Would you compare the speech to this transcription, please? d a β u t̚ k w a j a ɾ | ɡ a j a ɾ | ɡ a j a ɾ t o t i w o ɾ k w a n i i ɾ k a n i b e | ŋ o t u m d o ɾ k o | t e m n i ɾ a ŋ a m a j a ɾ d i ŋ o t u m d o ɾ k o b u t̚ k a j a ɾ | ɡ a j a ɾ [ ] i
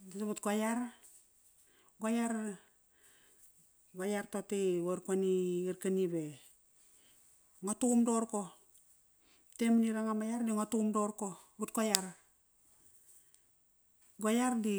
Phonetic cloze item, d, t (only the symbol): d